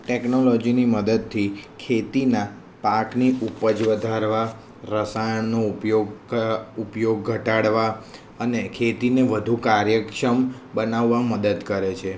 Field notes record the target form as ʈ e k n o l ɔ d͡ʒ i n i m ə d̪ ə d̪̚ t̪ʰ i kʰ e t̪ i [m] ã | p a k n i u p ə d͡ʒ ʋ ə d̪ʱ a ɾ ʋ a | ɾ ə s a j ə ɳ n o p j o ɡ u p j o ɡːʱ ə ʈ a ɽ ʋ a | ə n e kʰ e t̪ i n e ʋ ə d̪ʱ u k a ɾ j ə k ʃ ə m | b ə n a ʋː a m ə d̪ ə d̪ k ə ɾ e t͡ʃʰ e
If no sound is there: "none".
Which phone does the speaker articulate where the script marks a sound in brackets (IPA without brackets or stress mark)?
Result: n